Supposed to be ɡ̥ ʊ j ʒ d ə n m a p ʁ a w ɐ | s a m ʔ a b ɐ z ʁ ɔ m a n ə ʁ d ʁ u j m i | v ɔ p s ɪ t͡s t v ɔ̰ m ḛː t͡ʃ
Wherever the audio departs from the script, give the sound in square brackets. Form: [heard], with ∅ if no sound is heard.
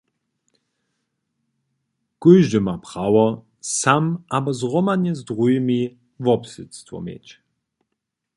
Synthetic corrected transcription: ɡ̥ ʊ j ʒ d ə [∅] m a p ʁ a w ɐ | s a m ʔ a b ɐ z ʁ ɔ m a n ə [z] d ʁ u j m i | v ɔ p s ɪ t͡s t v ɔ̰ m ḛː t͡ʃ